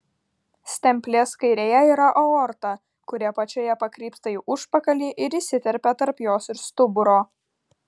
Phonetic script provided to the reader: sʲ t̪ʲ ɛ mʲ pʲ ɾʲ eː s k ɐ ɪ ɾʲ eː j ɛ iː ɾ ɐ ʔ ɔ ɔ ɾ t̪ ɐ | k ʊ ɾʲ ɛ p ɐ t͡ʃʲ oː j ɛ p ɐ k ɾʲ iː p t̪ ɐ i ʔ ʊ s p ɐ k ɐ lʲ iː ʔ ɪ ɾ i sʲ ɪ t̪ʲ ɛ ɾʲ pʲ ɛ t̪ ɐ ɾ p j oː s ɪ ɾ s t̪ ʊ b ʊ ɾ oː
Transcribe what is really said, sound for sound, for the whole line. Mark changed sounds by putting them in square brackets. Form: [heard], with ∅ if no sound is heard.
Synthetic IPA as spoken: sʲ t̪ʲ ɛ mʲ pʲ [lʲ] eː s k ɐ ɪ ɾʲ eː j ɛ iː ɾ ɐ ʔ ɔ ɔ ɾ t̪ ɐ | k ʊ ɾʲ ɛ p ɐ t͡ʃʲ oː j ɛ p ɐ k ɾʲ iː p t̪ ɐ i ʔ ʊ [ʃ] p ɐ k ɐ lʲ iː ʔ ɪ ɾ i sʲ ɪ t̪ʲ ɛ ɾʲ pʲ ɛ t̪ ɐ ɾ p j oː s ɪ ɾ s t̪ ʊ b ʊ ɾ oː